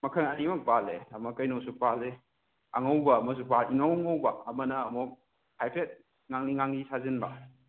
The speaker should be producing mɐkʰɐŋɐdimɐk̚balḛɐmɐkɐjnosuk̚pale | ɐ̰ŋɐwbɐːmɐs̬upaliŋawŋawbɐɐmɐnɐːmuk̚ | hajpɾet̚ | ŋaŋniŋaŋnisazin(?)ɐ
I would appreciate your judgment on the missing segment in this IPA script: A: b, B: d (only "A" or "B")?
A